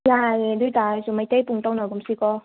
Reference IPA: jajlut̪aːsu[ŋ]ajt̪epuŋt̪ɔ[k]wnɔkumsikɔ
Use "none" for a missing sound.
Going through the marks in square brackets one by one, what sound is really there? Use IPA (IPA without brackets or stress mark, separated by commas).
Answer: m, none